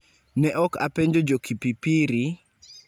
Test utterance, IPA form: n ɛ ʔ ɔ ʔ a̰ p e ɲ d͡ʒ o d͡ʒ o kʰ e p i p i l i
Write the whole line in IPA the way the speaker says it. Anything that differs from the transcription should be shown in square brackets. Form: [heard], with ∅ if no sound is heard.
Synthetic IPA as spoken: n ɛ ʔ ɔ [k] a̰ p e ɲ d͡ʒ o d͡ʒ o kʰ [i] p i p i [ɾ] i